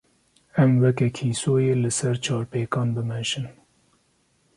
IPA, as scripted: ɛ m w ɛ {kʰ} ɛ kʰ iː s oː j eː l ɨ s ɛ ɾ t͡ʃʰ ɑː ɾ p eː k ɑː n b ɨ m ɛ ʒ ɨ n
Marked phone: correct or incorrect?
incorrect